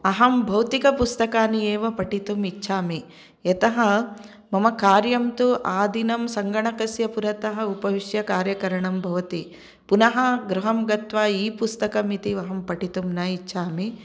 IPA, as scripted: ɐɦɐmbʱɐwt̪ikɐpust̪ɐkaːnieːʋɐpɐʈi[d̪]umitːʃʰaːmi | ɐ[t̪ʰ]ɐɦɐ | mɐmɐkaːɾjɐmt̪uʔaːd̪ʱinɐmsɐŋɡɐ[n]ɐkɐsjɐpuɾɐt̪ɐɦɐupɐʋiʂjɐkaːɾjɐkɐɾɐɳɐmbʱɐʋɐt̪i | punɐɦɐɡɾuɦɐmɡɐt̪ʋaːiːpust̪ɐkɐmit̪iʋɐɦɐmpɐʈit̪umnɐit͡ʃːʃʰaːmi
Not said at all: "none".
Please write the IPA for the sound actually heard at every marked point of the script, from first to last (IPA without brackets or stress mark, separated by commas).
t̪, t̪, ɳ